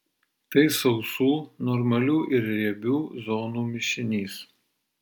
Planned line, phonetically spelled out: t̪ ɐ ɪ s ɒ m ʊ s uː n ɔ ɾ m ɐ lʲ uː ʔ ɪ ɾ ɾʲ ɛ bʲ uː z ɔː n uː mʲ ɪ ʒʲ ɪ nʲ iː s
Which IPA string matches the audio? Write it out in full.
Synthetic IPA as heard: t̪ ɐ ɪ s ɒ ʊ s uː n ɔ ɾ m ɐ lʲ uː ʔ ɪ ɾ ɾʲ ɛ bʲ uː z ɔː n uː mʲ ɪ ʃʲ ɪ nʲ iː s